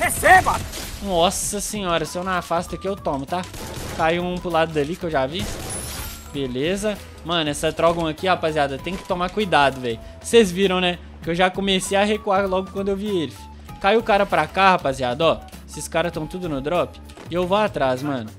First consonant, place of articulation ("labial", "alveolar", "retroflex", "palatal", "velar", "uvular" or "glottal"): glottal